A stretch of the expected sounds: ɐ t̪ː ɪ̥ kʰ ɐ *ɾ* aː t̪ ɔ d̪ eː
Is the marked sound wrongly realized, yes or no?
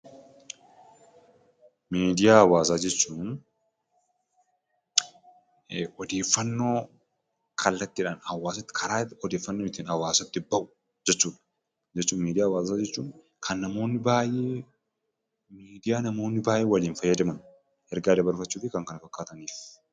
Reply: no